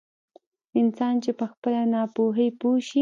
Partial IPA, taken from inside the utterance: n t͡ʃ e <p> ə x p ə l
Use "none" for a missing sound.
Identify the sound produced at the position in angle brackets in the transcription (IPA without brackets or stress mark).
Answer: p